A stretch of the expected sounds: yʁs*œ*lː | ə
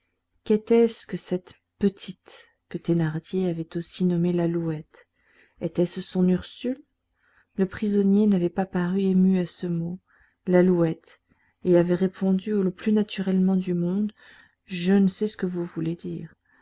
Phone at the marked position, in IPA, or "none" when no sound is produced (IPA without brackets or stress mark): y